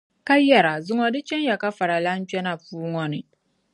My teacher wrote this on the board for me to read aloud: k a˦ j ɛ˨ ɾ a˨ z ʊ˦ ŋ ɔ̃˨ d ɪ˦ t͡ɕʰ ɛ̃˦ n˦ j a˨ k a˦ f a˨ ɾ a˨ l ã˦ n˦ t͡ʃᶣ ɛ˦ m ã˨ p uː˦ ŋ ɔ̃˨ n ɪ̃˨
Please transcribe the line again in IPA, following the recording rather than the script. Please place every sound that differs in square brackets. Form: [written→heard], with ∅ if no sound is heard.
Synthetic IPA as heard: k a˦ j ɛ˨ ɾ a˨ z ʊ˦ ŋ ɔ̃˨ d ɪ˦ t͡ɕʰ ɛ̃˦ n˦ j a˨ k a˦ f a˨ ɾ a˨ l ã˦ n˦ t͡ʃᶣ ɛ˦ [m→n] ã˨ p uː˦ ŋ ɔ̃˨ n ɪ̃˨

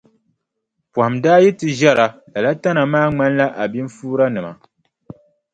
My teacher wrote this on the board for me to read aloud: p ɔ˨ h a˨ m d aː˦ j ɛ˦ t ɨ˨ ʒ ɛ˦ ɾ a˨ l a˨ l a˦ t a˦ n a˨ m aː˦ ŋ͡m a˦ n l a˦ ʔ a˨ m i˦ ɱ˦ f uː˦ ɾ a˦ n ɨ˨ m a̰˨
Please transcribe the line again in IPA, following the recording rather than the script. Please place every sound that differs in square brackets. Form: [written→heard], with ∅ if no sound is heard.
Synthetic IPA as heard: p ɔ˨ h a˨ m d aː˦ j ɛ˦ t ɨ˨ ʒ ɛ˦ ɾ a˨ l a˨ l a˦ t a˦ n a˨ m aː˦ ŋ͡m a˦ n l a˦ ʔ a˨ [m→b] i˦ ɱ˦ f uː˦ ɾ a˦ n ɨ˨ m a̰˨

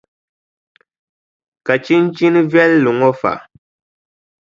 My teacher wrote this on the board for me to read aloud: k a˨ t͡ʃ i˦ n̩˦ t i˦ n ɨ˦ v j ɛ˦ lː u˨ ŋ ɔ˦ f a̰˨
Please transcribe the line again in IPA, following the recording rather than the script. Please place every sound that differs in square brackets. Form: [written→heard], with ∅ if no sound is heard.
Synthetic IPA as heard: k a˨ t͡ʃ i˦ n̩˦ [t→t͡ʃ] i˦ n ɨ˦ v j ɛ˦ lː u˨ ŋ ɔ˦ f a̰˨

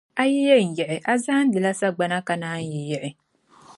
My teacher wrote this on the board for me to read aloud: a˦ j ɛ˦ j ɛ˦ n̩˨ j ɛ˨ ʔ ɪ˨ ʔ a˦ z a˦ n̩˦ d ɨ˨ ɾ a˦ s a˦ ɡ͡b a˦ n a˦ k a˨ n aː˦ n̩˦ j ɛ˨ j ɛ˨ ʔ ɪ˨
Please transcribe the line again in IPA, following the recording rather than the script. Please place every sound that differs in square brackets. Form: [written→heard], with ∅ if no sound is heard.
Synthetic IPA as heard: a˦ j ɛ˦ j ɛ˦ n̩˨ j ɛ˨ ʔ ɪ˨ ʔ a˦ z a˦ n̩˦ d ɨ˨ [ɾ→l] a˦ s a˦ ɡ͡b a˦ n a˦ k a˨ n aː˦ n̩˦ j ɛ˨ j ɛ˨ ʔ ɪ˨

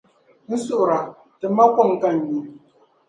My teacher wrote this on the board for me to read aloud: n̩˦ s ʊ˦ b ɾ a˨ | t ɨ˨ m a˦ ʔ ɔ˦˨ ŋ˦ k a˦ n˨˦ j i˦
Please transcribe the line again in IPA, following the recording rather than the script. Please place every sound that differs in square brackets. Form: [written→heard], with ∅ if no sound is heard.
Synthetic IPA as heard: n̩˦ s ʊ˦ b ɾ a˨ | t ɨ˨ m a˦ [ʔ→k] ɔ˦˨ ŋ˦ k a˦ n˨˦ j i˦

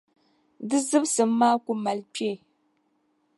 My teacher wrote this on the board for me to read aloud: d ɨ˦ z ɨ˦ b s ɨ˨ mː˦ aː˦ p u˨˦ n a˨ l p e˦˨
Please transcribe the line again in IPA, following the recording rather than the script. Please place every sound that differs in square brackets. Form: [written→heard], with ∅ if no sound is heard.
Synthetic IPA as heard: d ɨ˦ z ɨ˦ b s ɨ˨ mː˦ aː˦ [p→k] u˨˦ [n→m] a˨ l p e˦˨

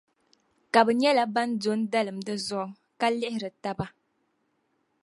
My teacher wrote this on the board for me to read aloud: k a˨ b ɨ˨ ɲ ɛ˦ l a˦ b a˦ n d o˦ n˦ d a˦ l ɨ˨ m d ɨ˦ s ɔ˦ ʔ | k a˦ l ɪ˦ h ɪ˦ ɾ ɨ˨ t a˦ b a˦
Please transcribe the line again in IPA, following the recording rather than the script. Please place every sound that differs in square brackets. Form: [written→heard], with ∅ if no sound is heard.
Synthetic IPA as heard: k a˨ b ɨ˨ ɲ ɛ˦ l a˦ b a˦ n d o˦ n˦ d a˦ l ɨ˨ m d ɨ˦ [s→z] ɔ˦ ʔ | k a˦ l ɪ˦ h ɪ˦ ɾ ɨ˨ t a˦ b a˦

